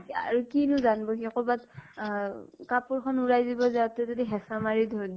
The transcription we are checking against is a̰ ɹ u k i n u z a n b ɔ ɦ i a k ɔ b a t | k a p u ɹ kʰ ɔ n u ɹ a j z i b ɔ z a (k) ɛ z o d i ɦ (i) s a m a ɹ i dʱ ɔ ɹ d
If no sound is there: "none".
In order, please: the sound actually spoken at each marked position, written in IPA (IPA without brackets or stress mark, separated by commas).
t, ɛ